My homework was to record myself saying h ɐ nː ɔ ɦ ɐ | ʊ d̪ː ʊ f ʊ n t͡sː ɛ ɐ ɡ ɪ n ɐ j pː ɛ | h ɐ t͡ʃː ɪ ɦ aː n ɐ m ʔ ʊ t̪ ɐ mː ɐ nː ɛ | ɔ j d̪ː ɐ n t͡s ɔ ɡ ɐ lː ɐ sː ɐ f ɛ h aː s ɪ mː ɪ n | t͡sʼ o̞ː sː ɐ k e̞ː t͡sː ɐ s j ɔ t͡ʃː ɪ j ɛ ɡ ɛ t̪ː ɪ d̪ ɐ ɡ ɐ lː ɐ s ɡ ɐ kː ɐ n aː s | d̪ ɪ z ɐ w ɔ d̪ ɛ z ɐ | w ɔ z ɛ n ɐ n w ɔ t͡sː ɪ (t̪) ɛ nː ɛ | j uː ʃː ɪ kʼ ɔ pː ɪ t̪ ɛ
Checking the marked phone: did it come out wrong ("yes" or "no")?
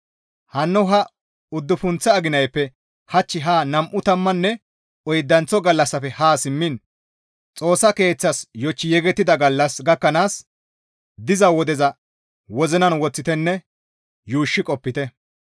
no